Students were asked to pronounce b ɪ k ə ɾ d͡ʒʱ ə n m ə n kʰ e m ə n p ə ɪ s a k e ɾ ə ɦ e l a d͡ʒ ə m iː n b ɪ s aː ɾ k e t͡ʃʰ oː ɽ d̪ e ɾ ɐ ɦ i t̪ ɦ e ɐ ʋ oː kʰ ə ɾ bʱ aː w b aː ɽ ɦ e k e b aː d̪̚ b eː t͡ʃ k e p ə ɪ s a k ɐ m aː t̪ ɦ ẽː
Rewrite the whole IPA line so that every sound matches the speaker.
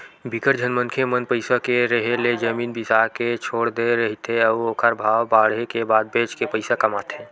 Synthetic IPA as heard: b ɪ k ə ɾ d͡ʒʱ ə n m ə n kʰ e m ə n p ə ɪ s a k e ɾ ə ɦ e l e d͡ʒ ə m iː n b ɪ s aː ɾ k e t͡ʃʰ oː ɽ d̪ e ɾ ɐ ɦ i t̪ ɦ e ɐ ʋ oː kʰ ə ɾ bʱ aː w b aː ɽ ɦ e k e b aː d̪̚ b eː t͡ʃ k e p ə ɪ s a k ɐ m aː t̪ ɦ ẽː